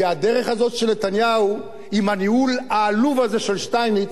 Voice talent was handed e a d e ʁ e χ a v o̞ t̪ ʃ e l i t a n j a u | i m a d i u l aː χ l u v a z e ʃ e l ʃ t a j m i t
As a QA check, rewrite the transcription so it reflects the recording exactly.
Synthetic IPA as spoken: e a d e ʁ e χ a z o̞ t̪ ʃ e l e t a n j a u | i m a n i u l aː l u v a z e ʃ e l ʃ t a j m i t